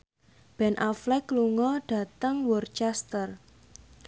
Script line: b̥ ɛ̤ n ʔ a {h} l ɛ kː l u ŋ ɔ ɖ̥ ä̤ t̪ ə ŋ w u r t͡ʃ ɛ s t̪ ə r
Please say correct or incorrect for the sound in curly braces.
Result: incorrect